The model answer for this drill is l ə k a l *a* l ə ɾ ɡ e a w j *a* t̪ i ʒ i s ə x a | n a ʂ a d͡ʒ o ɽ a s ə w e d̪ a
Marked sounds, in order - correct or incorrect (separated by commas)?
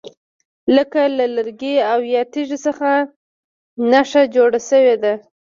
correct, incorrect